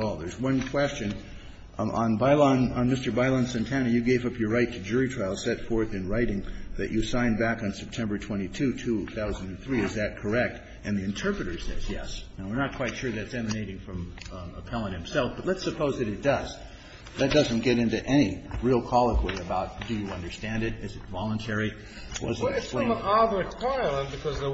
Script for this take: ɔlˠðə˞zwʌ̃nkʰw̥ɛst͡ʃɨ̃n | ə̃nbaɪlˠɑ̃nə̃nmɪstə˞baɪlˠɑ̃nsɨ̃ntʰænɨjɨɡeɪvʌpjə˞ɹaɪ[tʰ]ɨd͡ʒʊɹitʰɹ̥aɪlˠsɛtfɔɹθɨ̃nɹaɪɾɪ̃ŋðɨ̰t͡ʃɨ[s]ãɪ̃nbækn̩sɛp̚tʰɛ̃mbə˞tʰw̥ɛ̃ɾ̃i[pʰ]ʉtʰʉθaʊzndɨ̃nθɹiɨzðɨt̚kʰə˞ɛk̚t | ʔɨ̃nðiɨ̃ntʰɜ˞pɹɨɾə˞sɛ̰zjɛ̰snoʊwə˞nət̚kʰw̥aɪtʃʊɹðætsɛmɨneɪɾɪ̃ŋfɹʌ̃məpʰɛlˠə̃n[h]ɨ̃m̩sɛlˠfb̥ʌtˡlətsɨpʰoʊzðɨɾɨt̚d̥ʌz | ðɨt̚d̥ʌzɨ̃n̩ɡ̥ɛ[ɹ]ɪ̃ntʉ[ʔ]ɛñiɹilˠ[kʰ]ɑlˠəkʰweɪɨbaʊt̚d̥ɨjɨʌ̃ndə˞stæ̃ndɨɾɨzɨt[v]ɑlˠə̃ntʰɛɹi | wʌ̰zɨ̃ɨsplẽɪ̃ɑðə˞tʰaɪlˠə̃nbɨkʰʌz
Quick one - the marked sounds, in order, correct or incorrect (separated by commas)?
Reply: correct, correct, incorrect, correct, incorrect, correct, correct, correct